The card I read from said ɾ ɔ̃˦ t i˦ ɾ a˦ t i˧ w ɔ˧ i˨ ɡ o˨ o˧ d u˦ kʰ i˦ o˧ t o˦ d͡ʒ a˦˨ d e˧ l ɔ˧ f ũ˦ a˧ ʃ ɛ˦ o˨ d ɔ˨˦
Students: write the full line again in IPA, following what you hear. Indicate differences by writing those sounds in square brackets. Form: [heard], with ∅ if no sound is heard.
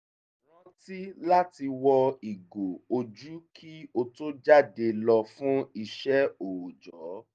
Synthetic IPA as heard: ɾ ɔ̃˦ t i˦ [l] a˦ t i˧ w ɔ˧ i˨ ɡ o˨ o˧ [d͡ʒ] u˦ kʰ i˦ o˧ t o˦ d͡ʒ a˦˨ d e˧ l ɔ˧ f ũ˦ [i˧] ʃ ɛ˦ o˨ [d͡ʒ] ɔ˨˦